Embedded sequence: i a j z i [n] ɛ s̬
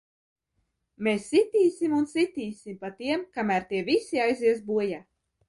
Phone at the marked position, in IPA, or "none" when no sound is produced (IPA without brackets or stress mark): none